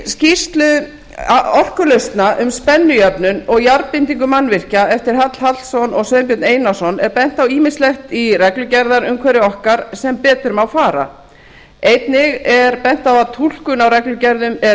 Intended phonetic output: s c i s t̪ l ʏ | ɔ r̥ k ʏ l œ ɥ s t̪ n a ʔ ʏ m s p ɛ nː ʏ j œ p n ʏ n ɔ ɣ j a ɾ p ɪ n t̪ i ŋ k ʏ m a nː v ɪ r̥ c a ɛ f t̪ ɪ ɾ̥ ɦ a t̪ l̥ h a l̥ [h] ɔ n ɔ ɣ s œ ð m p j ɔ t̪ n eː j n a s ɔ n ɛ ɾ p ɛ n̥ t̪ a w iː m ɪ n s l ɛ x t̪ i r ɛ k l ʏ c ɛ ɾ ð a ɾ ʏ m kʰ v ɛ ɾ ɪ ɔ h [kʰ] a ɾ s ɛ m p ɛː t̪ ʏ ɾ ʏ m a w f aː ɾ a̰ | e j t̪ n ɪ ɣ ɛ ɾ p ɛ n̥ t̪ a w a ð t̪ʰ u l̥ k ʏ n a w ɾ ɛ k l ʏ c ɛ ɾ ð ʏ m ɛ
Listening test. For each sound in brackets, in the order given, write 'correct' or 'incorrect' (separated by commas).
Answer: incorrect, incorrect